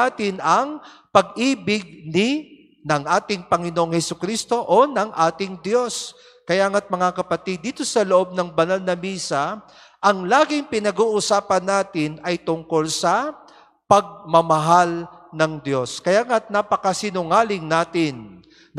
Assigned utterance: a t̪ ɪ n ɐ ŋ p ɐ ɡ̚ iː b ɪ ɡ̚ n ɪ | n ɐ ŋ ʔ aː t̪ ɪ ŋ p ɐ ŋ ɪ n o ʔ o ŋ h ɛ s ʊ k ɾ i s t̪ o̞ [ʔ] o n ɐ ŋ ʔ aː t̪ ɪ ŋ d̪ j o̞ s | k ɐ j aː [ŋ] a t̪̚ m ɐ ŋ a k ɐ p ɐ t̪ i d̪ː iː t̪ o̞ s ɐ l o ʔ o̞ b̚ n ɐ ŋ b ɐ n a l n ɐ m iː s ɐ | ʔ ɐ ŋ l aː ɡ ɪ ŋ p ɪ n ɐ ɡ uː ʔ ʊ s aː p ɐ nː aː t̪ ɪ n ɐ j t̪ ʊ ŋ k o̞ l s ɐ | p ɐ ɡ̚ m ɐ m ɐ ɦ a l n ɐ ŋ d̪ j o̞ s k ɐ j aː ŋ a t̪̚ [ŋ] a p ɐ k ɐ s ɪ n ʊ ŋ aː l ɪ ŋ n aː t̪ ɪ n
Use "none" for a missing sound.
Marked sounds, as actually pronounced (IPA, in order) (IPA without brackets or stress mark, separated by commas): ʔ, ŋ, n